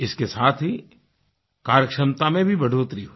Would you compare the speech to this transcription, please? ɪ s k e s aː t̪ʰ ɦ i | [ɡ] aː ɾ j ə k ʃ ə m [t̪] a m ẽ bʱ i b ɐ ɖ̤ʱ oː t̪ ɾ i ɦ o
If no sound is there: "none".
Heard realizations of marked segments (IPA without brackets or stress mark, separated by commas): k, t̪